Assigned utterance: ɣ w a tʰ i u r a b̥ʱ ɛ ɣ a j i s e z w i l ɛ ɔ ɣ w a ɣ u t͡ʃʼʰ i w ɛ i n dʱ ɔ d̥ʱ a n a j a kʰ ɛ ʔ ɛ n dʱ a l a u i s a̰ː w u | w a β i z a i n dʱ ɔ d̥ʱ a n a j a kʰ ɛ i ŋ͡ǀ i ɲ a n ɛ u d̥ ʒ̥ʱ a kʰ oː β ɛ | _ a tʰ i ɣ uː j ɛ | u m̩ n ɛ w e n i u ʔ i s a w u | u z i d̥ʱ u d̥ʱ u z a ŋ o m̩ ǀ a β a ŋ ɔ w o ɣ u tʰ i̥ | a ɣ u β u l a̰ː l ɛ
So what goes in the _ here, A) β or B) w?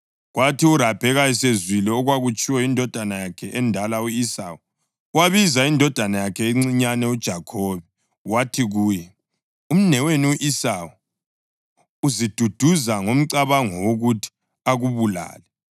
B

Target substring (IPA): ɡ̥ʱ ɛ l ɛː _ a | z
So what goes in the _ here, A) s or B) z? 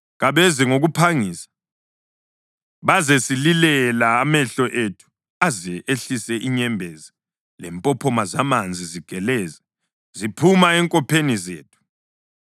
B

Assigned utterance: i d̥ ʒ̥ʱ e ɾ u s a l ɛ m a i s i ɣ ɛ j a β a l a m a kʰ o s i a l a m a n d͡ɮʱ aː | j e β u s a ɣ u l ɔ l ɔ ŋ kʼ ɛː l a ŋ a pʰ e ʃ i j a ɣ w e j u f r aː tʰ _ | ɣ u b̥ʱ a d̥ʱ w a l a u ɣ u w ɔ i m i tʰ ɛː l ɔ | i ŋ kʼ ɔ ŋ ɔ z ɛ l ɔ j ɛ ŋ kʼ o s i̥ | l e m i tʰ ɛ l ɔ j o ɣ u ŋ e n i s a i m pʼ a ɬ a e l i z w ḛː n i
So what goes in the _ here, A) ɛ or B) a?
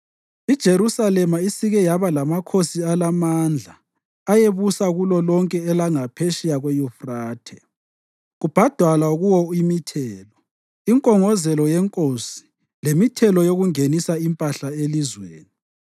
A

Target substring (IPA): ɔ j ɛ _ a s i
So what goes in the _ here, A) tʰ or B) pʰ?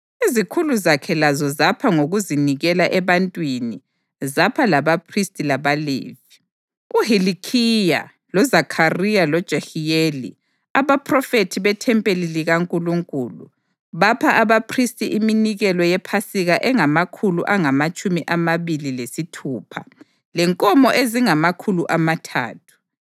B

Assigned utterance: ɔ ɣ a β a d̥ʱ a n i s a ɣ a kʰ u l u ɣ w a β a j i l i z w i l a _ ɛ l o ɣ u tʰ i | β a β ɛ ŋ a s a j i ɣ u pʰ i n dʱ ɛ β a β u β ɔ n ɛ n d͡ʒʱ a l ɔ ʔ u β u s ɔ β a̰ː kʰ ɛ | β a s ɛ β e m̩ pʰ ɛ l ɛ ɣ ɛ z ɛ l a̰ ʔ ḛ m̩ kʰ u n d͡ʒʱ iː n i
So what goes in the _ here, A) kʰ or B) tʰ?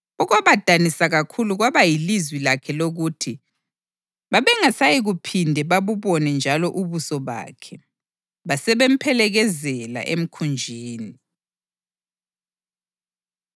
A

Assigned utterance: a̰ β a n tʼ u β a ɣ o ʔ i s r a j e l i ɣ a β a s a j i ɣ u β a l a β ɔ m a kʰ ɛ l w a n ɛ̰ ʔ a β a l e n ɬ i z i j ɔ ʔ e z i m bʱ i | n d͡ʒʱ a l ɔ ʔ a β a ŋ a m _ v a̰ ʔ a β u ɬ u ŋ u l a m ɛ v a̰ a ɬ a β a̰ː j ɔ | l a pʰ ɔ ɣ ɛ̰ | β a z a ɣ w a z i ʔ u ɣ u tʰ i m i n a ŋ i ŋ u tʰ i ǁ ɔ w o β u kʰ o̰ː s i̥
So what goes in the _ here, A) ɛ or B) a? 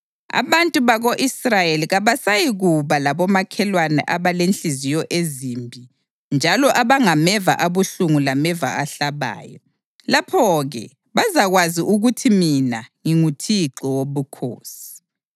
A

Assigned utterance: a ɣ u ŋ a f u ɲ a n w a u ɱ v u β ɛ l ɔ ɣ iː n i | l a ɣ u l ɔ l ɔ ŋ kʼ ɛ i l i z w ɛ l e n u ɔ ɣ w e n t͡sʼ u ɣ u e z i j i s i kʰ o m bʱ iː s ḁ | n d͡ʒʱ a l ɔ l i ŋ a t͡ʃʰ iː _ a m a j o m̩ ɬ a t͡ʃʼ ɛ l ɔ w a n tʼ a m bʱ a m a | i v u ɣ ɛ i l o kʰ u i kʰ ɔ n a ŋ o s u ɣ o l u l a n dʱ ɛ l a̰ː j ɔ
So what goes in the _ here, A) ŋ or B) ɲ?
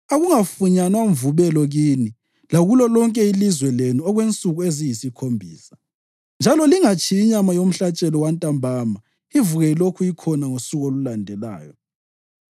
B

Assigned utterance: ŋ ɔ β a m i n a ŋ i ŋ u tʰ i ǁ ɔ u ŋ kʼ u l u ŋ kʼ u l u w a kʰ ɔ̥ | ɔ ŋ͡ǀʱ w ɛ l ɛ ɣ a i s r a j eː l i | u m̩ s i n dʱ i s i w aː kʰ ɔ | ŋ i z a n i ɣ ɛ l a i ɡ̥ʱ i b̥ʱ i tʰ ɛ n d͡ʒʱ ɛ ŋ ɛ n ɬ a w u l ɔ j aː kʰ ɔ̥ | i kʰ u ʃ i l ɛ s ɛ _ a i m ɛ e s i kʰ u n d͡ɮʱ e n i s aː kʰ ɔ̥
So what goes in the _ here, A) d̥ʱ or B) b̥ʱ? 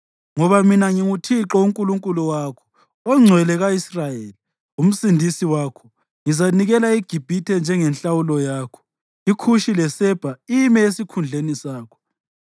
B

